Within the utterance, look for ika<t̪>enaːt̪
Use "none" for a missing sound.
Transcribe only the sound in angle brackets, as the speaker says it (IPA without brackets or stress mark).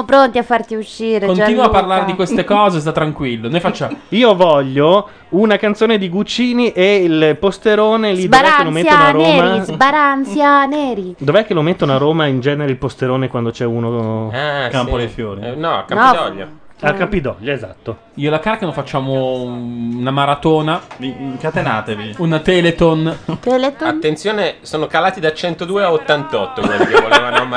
t̪